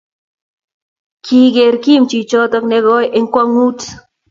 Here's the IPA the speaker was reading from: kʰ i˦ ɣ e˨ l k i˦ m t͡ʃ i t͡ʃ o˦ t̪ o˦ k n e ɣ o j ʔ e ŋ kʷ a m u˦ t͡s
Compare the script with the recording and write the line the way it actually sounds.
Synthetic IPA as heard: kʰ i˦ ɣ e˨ ɾ k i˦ m t͡ʃ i t͡ʃ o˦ t̪ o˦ k n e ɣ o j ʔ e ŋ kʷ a ŋ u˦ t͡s